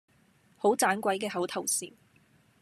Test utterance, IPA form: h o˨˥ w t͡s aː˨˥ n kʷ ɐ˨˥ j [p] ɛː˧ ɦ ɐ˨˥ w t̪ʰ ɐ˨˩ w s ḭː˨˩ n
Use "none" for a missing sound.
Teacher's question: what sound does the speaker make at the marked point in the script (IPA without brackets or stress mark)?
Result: k